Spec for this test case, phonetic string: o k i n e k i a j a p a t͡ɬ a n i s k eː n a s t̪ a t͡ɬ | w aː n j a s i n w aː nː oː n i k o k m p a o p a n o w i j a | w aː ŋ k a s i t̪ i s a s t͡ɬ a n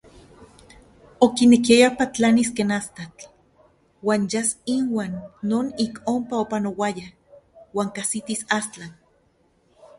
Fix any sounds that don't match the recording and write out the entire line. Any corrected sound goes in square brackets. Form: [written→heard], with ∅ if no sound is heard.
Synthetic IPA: o k i n e k i a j a p a t͡ɬ a n i s k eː n a s t̪ a t͡ɬ | w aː n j a s i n w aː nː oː n i k o [k→∅] m p a o p a n o w [i→a] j a | w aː ŋ k a s i t̪ i s a s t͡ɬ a n